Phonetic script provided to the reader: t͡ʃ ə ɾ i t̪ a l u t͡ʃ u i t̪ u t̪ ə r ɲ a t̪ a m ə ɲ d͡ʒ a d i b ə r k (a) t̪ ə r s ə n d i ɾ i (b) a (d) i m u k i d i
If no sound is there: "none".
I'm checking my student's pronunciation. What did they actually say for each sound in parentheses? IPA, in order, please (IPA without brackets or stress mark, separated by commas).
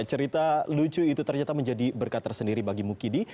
a, b, ɡ